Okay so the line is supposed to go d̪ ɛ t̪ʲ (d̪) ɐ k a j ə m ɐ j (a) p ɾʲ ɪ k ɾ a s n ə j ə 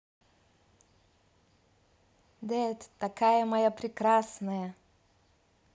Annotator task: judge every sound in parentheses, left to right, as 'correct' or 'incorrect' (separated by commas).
incorrect, correct